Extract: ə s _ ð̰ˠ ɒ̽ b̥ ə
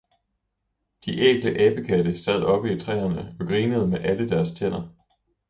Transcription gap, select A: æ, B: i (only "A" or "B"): A